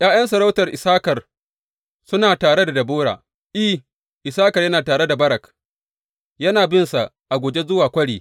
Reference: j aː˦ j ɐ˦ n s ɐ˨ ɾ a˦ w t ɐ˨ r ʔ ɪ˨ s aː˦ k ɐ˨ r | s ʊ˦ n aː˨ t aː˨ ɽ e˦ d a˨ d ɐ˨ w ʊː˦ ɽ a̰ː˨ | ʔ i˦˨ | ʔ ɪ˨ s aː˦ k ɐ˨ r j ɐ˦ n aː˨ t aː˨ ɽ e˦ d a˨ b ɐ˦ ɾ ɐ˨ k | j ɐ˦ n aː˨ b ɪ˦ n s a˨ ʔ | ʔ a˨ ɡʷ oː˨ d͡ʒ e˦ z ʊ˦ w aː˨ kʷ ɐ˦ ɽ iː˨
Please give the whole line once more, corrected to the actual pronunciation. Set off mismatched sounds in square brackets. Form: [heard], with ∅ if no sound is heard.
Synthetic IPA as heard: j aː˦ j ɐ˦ n s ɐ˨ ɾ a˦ w t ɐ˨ r ʔ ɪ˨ s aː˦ k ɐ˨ r | s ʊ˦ n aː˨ t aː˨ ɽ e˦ d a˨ d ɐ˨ [b] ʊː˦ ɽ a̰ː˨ | ʔ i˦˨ | ʔ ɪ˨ s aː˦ k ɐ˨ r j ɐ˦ n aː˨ t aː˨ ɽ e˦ d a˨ b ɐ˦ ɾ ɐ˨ k | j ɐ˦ n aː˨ b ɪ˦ n s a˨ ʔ | ʔ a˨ ɡʷ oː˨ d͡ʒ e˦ z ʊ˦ w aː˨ kʷ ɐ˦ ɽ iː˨